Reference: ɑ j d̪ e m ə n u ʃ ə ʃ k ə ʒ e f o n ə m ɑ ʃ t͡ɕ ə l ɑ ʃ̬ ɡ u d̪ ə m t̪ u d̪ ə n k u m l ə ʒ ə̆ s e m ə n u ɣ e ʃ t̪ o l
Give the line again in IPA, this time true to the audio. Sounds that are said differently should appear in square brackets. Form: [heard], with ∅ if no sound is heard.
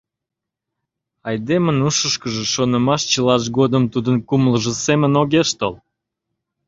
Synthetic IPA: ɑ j d̪ e m ə n u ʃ ə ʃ k ə ʒ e [ʃ] o n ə m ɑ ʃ t͡ɕ ə l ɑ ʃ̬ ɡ [o] d̪ ə m t̪ u d̪ ə n k u m l ə ʒ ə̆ s e m ə n [o] ɣ e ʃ t̪ o l